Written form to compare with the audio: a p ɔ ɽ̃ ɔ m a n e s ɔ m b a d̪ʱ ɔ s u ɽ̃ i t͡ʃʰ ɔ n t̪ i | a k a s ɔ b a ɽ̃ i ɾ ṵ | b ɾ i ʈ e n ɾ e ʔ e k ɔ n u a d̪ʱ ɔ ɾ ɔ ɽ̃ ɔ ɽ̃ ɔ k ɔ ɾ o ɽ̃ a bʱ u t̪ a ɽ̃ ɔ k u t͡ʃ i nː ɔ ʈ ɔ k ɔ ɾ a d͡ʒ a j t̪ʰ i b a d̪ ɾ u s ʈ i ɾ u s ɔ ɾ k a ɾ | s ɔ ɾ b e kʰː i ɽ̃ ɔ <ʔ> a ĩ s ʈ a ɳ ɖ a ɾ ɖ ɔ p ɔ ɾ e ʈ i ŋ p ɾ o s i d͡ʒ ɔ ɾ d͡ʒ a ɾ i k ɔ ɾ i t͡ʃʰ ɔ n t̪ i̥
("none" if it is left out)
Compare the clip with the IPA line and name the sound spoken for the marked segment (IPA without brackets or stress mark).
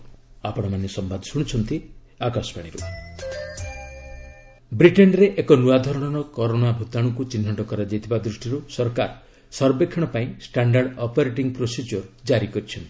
p